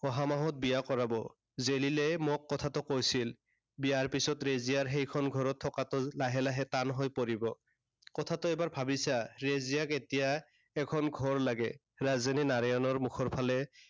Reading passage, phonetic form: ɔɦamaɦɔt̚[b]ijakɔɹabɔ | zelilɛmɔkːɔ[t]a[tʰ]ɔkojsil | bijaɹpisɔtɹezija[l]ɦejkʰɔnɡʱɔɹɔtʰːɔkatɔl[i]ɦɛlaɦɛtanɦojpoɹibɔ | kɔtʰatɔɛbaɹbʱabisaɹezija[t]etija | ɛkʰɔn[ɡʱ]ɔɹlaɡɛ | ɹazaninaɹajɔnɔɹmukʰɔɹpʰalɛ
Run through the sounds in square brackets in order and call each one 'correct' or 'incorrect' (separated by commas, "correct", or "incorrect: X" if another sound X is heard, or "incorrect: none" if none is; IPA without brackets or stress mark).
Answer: correct, incorrect: tʰ, incorrect: t, incorrect: ɹ, incorrect: a, incorrect: k, correct